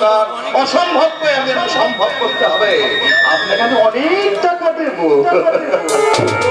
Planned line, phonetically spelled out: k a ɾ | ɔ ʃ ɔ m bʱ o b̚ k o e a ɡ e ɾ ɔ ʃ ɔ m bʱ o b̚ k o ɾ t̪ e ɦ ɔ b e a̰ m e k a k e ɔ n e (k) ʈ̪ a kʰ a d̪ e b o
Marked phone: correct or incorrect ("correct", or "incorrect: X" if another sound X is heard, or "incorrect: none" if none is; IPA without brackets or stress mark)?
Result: correct